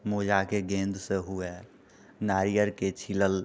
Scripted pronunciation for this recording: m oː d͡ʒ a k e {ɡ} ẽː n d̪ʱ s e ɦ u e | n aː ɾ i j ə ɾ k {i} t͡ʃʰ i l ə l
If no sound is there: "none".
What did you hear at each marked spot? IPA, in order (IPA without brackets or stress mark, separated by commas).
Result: ɡ, e